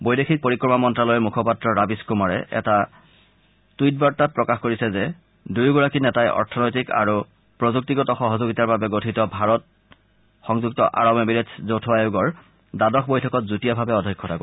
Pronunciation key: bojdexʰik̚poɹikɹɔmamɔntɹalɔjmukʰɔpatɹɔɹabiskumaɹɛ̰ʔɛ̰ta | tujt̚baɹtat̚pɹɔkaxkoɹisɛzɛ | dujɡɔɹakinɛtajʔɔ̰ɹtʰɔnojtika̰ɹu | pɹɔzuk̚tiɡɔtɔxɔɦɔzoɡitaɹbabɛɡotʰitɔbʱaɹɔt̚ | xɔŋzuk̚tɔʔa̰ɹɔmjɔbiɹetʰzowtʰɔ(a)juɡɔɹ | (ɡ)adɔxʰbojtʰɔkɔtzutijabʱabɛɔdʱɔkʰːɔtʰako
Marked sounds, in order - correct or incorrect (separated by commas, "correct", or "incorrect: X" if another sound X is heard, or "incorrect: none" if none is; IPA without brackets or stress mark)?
correct, incorrect: d